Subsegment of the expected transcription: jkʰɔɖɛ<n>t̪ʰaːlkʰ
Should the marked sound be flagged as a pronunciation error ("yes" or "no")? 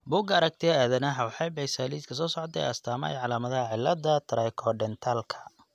no